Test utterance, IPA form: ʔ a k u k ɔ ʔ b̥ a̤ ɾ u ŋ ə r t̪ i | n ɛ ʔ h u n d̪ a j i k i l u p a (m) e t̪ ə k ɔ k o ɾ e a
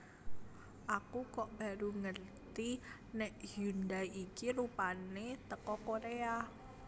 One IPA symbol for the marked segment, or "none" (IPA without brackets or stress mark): n